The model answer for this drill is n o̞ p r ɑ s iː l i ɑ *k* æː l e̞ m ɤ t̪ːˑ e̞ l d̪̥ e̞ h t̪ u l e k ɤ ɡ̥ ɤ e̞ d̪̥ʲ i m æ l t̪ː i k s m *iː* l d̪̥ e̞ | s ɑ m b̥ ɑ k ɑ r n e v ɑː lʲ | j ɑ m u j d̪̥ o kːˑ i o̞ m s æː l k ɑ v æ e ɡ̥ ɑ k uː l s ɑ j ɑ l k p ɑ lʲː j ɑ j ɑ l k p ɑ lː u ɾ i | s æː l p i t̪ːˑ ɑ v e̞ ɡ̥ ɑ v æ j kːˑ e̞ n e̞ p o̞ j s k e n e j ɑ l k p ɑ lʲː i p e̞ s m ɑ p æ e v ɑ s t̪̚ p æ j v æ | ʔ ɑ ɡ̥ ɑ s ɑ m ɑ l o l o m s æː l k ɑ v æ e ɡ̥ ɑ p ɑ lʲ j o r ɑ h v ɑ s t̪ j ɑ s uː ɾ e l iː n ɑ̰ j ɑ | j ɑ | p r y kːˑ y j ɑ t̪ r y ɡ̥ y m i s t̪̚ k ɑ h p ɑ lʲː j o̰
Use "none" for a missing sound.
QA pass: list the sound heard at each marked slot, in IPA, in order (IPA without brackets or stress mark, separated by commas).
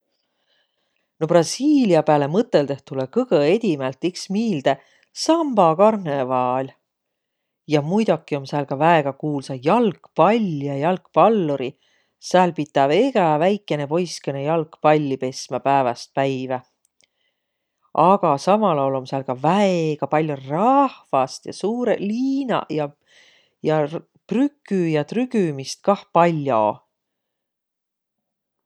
p, iː